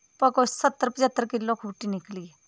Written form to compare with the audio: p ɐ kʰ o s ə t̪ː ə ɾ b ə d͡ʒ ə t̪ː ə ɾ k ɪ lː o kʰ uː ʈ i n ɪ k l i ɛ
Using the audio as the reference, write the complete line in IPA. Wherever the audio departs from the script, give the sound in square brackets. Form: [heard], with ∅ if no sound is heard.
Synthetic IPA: p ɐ [k] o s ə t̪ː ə ɾ [p] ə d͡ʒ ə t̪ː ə ɾ k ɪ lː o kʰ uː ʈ i n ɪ k l i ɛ